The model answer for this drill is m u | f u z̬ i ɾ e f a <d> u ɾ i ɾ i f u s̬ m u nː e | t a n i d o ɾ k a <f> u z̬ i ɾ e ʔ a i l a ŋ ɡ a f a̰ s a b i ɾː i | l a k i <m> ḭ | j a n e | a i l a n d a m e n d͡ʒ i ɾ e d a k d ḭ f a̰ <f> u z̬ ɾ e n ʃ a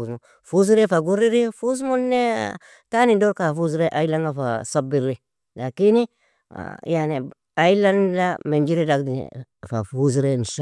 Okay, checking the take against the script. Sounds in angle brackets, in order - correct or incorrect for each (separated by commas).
incorrect, correct, incorrect, correct